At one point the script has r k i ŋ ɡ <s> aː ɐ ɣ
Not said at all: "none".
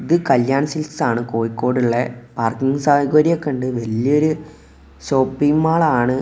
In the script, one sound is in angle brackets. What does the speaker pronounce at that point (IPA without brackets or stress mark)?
s